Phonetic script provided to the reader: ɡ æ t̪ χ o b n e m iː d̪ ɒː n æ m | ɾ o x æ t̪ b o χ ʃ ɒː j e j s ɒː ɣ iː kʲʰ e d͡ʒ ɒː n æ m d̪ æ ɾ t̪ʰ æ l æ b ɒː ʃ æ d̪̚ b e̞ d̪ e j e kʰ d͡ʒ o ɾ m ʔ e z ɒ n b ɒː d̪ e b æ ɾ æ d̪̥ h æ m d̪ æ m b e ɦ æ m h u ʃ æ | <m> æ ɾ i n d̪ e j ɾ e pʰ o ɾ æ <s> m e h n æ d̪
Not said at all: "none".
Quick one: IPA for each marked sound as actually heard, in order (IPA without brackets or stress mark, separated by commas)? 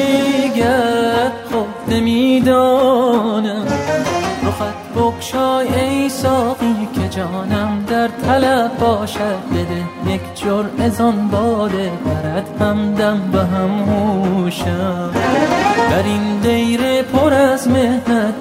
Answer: b, z